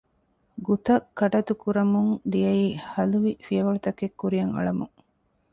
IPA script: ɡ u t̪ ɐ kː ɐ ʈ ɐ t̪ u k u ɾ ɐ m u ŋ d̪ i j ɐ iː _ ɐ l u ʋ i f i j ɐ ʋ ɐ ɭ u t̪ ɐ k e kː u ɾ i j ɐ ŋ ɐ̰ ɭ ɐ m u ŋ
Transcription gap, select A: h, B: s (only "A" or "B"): A